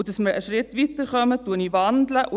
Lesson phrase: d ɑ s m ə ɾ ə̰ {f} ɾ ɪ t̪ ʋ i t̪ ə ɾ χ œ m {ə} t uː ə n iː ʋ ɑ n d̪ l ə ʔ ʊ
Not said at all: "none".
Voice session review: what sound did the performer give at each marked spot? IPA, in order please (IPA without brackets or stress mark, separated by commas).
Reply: ʃ, ə